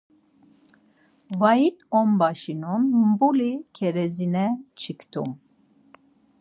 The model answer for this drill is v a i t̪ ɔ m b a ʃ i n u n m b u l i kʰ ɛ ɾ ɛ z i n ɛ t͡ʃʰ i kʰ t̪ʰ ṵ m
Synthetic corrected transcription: v a i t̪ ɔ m b a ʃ i n u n m b u l i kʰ ɛ ɾ ɛ z i n ɛ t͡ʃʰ i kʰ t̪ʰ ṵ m